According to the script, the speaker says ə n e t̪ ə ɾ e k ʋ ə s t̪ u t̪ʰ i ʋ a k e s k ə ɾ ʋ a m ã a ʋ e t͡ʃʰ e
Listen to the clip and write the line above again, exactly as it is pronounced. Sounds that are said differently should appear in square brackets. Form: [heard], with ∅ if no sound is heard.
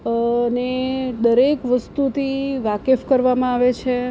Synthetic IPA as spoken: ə n e [d̪] ə ɾ e k ʋ ə s t̪ u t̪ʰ i ʋ a k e [f] k ə ɾ ʋ a m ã a ʋ e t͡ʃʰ e

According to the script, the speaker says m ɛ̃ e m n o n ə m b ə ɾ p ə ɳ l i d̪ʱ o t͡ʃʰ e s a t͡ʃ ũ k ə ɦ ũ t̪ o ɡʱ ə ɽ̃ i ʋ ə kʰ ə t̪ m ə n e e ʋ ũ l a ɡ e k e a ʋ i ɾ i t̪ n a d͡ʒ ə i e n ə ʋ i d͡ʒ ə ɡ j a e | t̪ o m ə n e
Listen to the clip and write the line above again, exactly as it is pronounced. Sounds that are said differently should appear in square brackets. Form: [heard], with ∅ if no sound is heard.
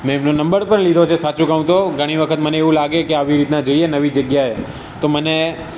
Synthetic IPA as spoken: m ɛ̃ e m n o n ə m b ə ɾ p ə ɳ l i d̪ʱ o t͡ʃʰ e s a t͡ʃ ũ k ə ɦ ũ t̪ o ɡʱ ə ɽ̃ i ʋ ə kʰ ə t̪ m ə n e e ʋ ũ l a ɡ e k e a ʋ i ɾ i t̪ n a d͡ʒ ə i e n ə ʋ i d͡ʒ ə ɡ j a e | t̪ o m ə n e

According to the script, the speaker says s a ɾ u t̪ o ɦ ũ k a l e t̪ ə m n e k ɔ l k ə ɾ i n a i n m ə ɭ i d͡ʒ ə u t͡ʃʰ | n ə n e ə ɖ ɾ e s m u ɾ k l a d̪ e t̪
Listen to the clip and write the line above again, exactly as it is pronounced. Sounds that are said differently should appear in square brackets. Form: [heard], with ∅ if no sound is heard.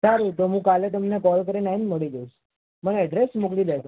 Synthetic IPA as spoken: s a ɾ u t̪ o ɦ ũ k a l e t̪ ə m n e k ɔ l k ə ɾ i n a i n m ə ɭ i d͡ʒ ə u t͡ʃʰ | [m] ə n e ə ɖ ɾ e s m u [∅] k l [i] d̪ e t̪

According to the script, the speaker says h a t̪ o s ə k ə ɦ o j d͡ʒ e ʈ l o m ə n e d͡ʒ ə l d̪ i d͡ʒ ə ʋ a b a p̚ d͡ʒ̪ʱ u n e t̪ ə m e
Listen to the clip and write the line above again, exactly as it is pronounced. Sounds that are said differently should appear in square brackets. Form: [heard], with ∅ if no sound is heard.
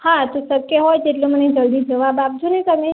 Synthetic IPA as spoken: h a t̪ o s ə k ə ɦ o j d͡ʒ e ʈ l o m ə n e d͡ʒ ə l d̪ i d͡ʒ ə ʋ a b a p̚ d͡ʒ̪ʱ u n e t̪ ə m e

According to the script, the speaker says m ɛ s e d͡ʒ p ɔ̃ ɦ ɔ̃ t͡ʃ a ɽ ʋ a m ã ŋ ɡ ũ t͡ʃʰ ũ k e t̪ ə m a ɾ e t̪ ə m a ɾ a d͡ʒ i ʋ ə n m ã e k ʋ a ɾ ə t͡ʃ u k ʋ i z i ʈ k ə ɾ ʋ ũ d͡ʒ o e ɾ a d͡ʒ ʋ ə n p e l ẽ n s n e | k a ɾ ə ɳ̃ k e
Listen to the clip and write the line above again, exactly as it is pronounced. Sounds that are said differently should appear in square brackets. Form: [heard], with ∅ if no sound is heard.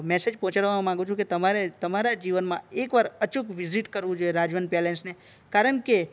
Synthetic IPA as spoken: m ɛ s e d͡ʒ p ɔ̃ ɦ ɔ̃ t͡ʃ a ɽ ʋ a m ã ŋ ɡ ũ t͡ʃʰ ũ k e t̪ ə m a ɾ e t̪ ə m a ɾ a d͡ʒ i ʋ ə n m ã e k ʋ a ɾ ə t͡ʃ u k ʋ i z i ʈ k ə ɾ ʋ ũ d͡ʒ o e ɾ a d͡ʒ ʋ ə n p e l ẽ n s n e | k a ɾ ə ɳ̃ k e

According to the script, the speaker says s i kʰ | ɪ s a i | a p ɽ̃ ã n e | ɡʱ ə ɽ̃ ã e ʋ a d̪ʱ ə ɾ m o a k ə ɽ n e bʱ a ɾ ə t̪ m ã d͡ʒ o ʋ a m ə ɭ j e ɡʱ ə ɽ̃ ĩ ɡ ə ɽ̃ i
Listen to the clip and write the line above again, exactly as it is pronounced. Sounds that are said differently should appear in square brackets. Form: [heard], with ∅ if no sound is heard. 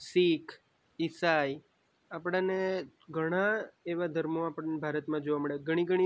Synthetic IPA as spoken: s i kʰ | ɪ s a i | a p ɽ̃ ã n e | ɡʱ ə ɽ̃ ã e ʋ a d̪ʱ ə ɾ m o a [p] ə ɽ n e bʱ a ɾ ə t̪ m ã d͡ʒ o ʋ a m ə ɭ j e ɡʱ ə ɽ̃ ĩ ɡ ə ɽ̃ i

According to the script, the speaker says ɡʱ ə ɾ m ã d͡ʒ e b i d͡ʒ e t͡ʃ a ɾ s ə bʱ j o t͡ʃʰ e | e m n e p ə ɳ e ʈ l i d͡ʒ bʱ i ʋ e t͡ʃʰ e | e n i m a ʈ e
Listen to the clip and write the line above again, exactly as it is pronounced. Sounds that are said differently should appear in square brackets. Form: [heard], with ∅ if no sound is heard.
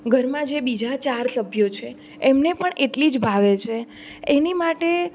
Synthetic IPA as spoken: ɡʱ ə ɾ m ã d͡ʒ e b i d͡ʒ [a] t͡ʃ a ɾ s ə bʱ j o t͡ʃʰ e | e m n e p ə ɳ e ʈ l i d͡ʒ bʱ [a] ʋ e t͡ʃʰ e | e n i m a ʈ e

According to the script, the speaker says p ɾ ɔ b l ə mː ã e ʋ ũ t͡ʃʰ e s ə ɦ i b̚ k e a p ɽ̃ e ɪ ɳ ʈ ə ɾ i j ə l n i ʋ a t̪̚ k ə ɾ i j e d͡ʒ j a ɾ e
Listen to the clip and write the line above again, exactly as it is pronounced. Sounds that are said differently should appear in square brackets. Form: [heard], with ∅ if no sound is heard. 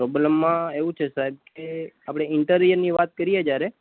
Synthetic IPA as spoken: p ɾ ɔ b l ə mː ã e ʋ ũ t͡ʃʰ e s [a] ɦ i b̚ k e a p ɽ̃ e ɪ ɳ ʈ ə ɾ i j ə [ɾ] n i ʋ a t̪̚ k ə ɾ i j e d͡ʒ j a ɾ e

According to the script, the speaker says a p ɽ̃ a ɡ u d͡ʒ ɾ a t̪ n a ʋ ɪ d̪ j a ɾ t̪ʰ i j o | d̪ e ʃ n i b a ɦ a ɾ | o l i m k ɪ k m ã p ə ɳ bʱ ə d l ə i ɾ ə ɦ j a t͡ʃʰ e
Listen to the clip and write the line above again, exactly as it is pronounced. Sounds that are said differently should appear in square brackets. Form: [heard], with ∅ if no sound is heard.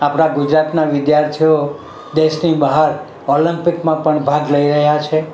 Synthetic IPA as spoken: a p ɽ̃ a ɡ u d͡ʒ ɾ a t̪ n a ʋ ɪ d̪ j a ɾ t̪ʰ i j o | d̪ e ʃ n i b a ɦ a ɾ | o l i m [p] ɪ k m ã p ə ɳ bʱ [a] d l ə i ɾ ə ɦ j a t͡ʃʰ e

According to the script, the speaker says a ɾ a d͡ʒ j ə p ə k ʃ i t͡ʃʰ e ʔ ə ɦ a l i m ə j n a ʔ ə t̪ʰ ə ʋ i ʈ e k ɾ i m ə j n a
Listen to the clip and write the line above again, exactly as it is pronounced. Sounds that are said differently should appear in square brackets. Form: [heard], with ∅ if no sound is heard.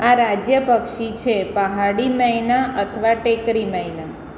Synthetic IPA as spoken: a ɾ a d͡ʒ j ə p ə k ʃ i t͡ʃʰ e [p] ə ɦ a [ɽ] i m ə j n a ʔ ə t̪ʰ ə ʋ [a] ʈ e k ɾ i m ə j n a

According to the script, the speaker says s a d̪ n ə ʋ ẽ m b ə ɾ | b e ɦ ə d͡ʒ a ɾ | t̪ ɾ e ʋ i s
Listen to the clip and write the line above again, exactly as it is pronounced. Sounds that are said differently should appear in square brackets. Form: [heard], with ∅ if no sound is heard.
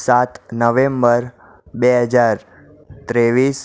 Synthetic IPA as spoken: s a [t̪] n ə ʋ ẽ m b ə ɾ | b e ɦ ə d͡ʒ a ɾ | t̪ ɾ e ʋ i s

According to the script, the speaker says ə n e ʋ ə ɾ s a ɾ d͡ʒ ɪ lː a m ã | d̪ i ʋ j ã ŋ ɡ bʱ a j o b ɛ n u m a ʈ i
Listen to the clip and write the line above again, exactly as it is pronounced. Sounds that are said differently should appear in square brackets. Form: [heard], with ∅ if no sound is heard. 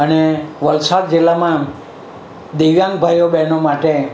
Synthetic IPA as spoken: ə n e ʋ ə [l] s a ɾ d͡ʒ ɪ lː a m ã | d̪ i ʋ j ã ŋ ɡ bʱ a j o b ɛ n [o] m a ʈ [e]

